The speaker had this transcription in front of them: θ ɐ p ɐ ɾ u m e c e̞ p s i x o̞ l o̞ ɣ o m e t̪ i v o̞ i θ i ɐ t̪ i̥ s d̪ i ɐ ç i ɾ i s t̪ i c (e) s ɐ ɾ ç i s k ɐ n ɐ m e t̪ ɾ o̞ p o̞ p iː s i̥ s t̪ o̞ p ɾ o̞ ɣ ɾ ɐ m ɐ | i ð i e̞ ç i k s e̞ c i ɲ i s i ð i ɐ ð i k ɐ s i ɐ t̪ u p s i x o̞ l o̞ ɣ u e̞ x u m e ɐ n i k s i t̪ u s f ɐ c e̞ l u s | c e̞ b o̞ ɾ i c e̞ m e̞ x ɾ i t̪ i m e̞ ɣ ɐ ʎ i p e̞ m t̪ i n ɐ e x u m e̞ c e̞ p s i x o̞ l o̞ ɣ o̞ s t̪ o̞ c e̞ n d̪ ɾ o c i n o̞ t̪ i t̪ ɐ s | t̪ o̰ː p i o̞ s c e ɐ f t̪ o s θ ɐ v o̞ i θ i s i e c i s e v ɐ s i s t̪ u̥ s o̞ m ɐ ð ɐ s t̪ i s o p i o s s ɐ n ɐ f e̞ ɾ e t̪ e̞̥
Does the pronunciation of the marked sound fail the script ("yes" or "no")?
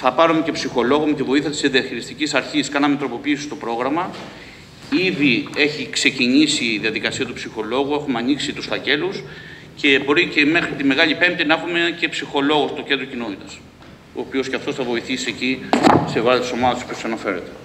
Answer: yes